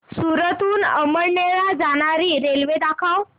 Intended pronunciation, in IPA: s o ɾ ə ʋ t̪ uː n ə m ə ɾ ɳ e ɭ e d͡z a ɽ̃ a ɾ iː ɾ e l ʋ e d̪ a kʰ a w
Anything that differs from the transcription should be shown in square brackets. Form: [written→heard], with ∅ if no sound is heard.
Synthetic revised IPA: s [o→u] ɾ ə [ʋ→∅] t̪ uː n ə m ə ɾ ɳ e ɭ [e→a] d͡z a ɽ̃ a ɾ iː ɾ e l ʋ e d̪ a kʰ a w